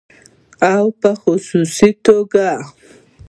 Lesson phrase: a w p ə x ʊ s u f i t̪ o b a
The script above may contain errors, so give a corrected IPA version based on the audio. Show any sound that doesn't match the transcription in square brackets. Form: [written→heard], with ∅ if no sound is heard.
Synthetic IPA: a w p ə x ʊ s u [f→s] i t̪ o [b→ɡ] a